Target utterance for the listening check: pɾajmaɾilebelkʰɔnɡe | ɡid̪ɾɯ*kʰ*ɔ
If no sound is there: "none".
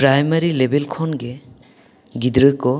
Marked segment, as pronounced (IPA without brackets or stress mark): k